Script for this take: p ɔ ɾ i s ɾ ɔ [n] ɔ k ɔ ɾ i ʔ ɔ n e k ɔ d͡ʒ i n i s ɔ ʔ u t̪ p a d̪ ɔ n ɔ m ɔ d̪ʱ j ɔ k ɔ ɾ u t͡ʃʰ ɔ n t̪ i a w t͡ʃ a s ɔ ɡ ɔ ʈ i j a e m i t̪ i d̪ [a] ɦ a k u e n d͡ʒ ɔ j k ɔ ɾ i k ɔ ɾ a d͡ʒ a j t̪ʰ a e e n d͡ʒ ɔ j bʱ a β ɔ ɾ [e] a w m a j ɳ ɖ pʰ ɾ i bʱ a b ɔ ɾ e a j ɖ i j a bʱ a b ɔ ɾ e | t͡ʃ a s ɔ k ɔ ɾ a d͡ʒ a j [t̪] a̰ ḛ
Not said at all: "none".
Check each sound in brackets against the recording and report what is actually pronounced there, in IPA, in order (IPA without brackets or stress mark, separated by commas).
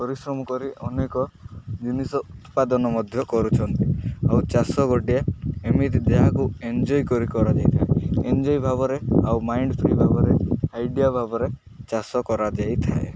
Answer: m, e, e, t̪ʰ